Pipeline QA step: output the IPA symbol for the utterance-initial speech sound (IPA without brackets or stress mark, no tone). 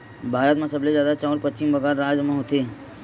bʱ